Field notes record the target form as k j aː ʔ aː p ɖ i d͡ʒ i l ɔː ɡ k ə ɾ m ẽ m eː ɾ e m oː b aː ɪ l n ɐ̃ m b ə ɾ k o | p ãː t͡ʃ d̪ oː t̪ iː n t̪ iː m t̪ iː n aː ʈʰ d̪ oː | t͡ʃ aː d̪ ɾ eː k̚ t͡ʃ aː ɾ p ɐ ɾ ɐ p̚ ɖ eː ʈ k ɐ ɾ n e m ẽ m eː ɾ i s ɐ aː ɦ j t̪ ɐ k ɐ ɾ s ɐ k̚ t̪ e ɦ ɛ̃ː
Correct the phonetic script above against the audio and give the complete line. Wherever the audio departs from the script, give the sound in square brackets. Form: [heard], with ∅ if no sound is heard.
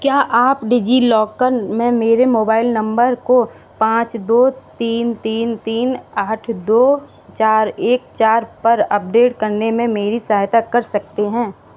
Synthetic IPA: k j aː ʔ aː p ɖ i d͡ʒ i l ɔː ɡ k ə ɾ m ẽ m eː ɾ e m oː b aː ɪ l n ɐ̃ m b ə ɾ k o | p ãː t͡ʃ d̪ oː t̪ iː n t̪ iː [n] t̪ iː n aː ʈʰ d̪ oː | t͡ʃ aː [∅] ɾ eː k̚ t͡ʃ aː ɾ p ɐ ɾ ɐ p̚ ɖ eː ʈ k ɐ ɾ n e m ẽ m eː ɾ i s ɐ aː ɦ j t̪ [a] k ɐ ɾ s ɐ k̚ t̪ e ɦ ɛ̃ː

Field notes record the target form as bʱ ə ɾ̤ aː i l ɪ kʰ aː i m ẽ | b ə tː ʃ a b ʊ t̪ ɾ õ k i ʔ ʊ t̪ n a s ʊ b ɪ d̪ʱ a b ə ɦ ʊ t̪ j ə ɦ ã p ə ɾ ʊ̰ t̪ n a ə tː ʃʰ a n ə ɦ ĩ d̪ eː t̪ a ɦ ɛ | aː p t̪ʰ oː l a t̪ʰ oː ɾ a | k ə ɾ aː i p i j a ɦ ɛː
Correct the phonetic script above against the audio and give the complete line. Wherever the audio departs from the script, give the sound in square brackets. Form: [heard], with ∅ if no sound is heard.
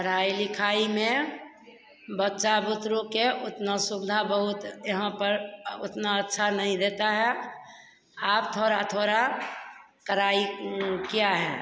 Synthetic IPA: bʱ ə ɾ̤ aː i l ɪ kʰ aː i m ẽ | b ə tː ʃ a b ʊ t̪ ɾ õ k [e] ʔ ʊ t̪ n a s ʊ b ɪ d̪ʱ a b ə ɦ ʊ t̪ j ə ɦ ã p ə ɾ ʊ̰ t̪ n a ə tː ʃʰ a n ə ɦ ĩ d̪ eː t̪ a ɦ ɛ | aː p t̪ʰ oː [ɾ] a t̪ʰ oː ɾ a | k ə ɾ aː i [k] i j a ɦ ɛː

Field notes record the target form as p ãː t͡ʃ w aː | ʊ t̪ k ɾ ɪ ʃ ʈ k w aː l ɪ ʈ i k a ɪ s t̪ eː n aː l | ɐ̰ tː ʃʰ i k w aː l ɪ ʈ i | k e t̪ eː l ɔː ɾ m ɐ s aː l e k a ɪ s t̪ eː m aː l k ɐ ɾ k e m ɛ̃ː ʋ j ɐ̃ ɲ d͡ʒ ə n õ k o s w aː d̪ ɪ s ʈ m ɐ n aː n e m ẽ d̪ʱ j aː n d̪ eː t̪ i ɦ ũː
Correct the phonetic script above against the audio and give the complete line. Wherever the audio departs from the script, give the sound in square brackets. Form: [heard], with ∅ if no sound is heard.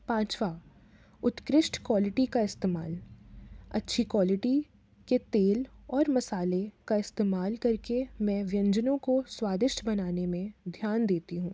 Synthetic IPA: p ãː t͡ʃ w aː | ʊ t̪ k ɾ ɪ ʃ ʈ k w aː l ɪ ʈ i k a ɪ s t̪ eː [m] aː l | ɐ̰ tː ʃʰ i k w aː l ɪ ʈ i | k e t̪ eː l ɔː ɾ m ɐ s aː l e k a ɪ s t̪ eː m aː l k ɐ ɾ k e m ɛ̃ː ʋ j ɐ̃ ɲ d͡ʒ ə n õ k o s w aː d̪ ɪ [ʃ] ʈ [b] ɐ n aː n e m ẽ d̪ʱ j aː n d̪ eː t̪ i ɦ ũː

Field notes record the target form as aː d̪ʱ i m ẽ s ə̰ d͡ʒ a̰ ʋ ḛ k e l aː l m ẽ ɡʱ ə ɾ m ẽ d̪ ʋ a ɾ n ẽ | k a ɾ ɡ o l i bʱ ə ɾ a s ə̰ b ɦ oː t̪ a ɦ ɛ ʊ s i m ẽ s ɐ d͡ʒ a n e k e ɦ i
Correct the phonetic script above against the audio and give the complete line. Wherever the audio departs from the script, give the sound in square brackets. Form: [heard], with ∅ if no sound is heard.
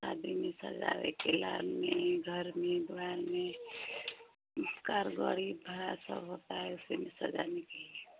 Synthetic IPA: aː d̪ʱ i m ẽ s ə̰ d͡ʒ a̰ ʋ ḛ k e l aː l m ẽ ɡʱ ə ɾ m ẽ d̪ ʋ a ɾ [m] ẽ | k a ɾ ɡ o [ɽ] i bʱ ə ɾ a s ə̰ b ɦ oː t̪ a ɦ ɛ ʊ s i m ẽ s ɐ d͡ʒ a n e k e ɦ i

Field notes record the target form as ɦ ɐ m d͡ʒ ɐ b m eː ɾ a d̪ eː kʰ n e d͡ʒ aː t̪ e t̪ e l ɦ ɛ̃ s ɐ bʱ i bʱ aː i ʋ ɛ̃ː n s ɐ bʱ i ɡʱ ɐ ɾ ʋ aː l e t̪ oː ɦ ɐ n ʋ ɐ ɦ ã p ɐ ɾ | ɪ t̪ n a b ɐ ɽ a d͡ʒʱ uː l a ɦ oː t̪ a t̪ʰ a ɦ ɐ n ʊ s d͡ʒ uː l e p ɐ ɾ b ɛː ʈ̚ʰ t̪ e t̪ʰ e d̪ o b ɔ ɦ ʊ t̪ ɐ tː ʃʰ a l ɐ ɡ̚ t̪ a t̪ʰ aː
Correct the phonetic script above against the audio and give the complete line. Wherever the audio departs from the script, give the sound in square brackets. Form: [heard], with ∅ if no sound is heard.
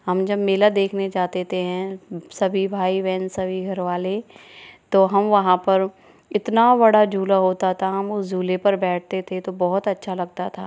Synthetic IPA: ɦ ɐ m d͡ʒ ɐ b m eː [l] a d̪ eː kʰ n e d͡ʒ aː t̪ e t̪ e [∅] ɦ ɛ̃ s ɐ bʱ i bʱ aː i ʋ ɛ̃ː n s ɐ bʱ i ɡʱ ɐ ɾ ʋ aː l e t̪ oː ɦ ɐ [m] ʋ ɐ ɦ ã p ɐ ɾ | ɪ t̪ n a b ɐ ɽ a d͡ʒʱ uː l a ɦ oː t̪ a t̪ʰ a ɦ ɐ [m] ʊ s d͡ʒ uː l e p ɐ ɾ b ɛː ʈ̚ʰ t̪ e t̪ʰ e [t̪] o b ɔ ɦ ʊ t̪ ɐ tː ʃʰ a l ɐ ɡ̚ t̪ a t̪ʰ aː

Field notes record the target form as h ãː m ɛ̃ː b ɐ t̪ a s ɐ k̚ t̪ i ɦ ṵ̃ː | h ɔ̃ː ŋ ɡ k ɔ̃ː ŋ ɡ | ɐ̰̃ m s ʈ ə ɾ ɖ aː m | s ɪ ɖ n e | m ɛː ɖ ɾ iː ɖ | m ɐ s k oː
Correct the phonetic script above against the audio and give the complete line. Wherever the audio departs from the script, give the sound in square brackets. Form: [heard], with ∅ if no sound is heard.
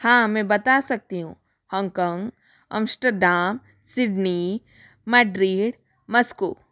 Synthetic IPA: h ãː m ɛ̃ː b ɐ t̪ a s ɐ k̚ t̪ i ɦ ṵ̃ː | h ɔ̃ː ŋ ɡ k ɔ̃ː ŋ ɡ | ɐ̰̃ m s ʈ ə ɾ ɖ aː m | s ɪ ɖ n [i] | m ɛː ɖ ɾ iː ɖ | m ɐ s k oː

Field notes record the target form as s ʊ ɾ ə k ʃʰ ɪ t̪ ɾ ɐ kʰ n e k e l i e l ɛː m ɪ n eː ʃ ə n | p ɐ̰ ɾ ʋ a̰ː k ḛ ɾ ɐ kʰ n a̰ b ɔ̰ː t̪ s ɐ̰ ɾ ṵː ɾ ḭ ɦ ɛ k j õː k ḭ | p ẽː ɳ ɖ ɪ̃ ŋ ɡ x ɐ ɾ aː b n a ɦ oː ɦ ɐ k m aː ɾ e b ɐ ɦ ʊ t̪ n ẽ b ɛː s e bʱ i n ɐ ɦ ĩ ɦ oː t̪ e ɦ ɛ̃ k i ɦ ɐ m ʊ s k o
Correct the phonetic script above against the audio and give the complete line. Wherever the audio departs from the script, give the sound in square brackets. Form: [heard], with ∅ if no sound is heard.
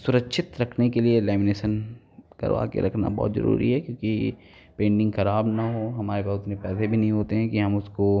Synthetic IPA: s ʊ ɾ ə k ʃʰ ɪ t̪ ɾ ɐ kʰ n e k e l i e l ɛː m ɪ n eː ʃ ə n | [k] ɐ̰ ɾ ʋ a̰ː k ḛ ɾ ɐ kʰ n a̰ b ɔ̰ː t̪ [z] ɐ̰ ɾ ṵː ɾ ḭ ɦ ɛ k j õː k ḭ | p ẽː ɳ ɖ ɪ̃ ŋ ɡ x ɐ ɾ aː b n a ɦ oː ɦ ɐ [∅] m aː ɾ e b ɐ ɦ ʊ t̪ n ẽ [p] ɛː s e bʱ i n ɐ ɦ ĩ ɦ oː t̪ e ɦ ɛ̃ k i ɦ ɐ m ʊ s k o

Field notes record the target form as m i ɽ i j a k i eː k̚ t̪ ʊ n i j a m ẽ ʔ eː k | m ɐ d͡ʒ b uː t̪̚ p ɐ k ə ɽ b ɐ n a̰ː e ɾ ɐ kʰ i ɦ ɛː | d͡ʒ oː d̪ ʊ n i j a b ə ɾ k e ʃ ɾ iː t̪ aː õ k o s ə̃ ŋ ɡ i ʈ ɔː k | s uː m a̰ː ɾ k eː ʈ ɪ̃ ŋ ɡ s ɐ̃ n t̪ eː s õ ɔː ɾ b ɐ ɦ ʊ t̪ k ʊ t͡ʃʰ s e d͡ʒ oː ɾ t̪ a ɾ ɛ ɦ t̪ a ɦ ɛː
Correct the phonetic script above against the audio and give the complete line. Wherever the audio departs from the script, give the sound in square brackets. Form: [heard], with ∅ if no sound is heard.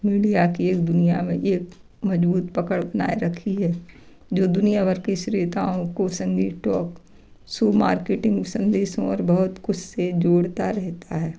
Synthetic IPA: m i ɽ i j a k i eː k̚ [d̪] ʊ n i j a m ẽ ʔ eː k | m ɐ d͡ʒ b uː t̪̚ p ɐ k ə ɽ b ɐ n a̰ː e ɾ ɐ kʰ i ɦ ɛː | d͡ʒ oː d̪ ʊ n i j a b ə ɾ k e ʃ ɾ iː t̪ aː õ k o s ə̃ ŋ ɡ i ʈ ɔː k | s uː m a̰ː ɾ k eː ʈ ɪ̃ ŋ ɡ s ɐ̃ n [d̪] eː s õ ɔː ɾ b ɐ ɦ ʊ t̪ k ʊ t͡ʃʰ s e d͡ʒ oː [ɽ] t̪ a ɾ ɛ ɦ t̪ a ɦ ɛː

